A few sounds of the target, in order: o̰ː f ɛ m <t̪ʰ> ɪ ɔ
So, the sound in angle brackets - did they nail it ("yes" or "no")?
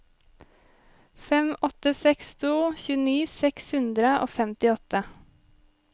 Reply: no